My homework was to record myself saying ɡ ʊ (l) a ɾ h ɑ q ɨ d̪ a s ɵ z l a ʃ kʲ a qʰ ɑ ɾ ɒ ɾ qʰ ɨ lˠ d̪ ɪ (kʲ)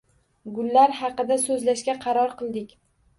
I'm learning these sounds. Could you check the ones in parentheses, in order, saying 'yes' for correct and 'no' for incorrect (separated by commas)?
no, yes